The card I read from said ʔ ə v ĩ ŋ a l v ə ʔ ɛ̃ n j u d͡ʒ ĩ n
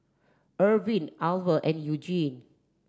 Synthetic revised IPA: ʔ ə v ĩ n a l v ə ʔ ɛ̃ n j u d͡ʒ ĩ n